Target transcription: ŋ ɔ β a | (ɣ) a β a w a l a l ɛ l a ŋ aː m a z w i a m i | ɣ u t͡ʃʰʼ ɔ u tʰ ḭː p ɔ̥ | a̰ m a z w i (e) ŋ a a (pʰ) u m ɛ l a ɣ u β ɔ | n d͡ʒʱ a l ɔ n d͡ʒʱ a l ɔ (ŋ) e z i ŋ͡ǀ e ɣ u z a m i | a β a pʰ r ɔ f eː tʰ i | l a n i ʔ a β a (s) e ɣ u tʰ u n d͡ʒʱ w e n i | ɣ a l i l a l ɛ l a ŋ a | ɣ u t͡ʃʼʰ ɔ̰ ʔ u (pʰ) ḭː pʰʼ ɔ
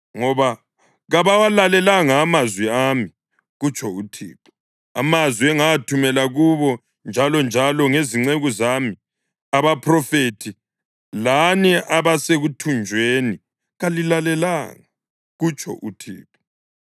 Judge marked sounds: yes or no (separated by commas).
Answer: yes, no, no, yes, yes, no